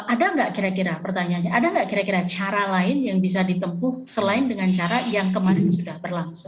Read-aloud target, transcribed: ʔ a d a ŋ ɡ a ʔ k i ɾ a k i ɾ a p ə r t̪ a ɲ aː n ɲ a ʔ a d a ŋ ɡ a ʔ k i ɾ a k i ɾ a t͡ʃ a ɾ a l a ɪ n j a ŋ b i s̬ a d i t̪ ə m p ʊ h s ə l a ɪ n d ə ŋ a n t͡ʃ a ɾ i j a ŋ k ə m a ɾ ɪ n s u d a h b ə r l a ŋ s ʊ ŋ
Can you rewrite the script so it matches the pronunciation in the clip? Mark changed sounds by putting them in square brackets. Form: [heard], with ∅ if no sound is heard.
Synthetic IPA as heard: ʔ a d a ŋ ɡ a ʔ k i ɾ a k i ɾ a p ə r t̪ a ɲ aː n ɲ a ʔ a d a ŋ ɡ a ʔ k i ɾ a k i ɾ a t͡ʃ a ɾ a l a ɪ n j a ŋ b i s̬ a d i t̪ ə m p ʊ h s ə l a ɪ n d ə ŋ a n t͡ʃ a ɾ [a] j a ŋ k ə m a ɾ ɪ n s u d a h b ə r l a ŋ s ʊ ŋ